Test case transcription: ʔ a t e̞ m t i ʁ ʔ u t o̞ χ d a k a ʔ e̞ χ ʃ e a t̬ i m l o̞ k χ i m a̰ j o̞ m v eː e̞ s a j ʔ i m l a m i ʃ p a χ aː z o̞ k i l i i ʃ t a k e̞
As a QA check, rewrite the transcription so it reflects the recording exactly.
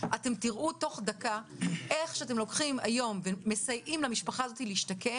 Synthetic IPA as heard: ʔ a t e̞ m t i ʁ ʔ u t o̞ χ d a k a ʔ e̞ χ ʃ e a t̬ e m l o̞ k χ i m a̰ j o̞ m v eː e̞ s a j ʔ i m l a m i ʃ p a χ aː z o̞ t i l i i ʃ t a k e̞